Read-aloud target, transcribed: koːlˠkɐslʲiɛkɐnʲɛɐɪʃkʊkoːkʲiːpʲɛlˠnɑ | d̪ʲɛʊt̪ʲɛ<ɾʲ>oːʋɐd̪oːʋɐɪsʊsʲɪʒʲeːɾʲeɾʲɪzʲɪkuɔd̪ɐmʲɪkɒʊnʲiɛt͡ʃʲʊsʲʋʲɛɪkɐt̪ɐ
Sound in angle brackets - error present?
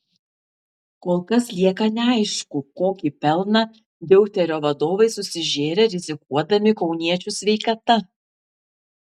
no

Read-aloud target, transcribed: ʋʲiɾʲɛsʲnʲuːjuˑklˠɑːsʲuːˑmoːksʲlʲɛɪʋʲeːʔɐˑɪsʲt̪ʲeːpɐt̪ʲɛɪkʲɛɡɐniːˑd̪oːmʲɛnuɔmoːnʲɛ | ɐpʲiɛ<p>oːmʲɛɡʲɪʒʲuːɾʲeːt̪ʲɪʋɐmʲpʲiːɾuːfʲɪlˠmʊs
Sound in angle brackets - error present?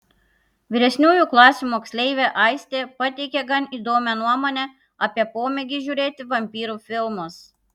no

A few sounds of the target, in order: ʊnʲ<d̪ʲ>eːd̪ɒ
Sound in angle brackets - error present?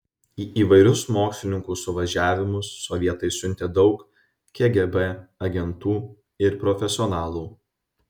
yes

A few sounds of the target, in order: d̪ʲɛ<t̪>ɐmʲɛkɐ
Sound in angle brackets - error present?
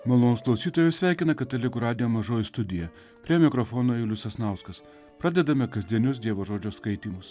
yes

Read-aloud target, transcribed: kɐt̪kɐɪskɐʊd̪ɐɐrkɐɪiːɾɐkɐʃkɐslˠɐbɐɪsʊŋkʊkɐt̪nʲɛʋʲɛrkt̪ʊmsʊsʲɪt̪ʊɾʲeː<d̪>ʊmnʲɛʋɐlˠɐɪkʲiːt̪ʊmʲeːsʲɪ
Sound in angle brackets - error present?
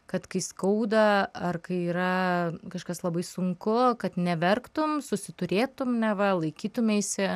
yes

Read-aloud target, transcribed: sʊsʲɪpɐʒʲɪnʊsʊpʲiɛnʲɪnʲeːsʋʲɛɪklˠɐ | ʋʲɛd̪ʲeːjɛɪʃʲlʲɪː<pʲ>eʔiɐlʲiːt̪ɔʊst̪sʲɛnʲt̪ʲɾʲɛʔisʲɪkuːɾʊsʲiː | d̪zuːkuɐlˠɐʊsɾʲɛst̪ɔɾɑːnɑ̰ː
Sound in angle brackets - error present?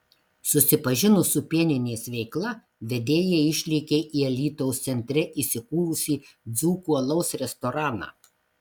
yes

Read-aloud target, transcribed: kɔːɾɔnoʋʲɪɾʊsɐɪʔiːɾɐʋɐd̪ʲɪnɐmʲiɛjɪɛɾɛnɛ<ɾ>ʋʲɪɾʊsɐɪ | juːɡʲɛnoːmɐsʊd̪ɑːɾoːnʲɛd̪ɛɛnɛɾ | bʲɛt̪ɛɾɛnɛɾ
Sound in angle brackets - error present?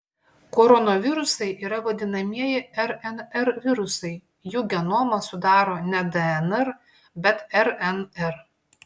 no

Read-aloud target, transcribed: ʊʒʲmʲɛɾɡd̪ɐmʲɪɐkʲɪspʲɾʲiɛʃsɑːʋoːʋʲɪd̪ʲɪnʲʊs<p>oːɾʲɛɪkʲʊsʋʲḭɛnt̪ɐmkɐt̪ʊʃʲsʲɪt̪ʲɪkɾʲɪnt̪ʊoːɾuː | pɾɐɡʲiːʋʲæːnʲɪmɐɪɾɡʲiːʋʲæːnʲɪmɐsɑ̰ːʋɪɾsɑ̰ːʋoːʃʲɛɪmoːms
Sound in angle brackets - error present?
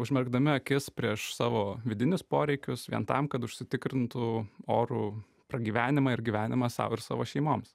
no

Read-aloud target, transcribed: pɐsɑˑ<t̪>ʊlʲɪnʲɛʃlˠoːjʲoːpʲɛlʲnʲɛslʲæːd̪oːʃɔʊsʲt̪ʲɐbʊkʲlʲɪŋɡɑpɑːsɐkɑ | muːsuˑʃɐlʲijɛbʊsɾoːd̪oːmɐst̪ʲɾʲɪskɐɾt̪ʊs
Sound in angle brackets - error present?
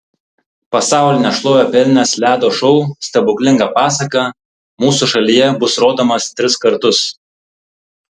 yes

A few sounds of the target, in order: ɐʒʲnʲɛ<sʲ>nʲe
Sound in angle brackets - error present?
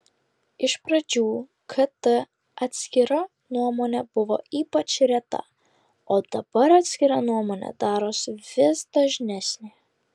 no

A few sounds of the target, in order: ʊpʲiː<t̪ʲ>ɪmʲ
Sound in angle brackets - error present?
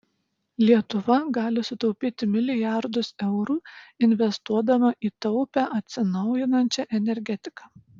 no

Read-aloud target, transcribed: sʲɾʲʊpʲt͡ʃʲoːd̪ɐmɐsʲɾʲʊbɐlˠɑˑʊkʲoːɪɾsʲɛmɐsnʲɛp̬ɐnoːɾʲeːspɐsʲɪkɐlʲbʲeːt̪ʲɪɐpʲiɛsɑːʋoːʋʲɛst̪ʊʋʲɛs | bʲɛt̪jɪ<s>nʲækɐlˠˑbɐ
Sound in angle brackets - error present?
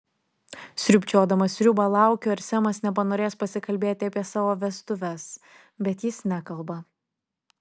no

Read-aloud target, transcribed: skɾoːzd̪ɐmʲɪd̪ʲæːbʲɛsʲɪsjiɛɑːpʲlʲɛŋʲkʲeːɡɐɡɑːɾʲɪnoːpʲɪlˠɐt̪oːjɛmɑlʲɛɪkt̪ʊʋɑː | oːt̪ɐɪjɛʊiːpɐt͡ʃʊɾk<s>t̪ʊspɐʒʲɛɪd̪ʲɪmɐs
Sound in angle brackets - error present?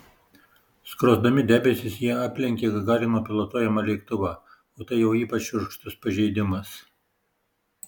yes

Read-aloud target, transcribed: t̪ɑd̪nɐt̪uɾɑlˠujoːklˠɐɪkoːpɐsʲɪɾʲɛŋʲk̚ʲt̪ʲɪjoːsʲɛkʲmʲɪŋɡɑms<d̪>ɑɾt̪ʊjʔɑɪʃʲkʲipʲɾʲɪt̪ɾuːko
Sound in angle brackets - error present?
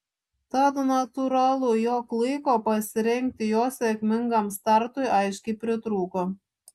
yes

